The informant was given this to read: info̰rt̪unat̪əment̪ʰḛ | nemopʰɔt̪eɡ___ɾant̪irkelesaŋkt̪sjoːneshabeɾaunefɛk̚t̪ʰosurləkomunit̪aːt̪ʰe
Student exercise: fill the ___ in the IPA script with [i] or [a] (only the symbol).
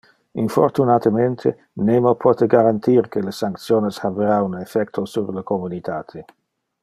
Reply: a